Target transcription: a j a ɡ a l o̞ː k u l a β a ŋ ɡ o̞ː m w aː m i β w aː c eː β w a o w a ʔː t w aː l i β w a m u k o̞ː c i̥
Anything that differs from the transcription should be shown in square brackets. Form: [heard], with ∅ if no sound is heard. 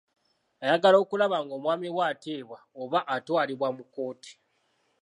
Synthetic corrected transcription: a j a ɡ a l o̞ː k u l a β a ŋ ɡ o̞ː m w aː m i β w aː [t] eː β w a o [β] a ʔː t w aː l i β w a m u k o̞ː [t] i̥